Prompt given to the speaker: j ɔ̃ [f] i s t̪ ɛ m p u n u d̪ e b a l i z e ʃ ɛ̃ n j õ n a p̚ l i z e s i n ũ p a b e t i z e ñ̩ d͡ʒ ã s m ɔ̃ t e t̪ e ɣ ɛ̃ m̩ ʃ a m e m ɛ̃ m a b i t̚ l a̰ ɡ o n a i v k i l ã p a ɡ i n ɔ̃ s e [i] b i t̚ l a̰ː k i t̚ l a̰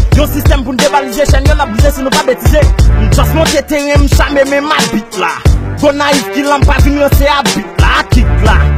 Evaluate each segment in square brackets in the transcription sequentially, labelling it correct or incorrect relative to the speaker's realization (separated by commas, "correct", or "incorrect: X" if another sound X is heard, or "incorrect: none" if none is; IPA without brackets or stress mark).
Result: incorrect: s, incorrect: a